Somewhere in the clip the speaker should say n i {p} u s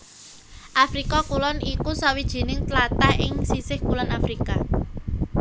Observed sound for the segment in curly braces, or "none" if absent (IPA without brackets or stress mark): k